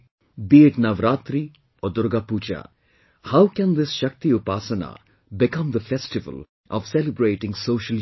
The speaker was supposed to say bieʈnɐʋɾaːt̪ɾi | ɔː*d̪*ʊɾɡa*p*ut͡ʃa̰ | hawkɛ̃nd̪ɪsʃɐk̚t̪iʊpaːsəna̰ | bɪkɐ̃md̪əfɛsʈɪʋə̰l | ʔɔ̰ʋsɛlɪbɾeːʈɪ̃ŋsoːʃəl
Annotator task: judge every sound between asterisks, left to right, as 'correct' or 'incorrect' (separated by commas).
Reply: correct, correct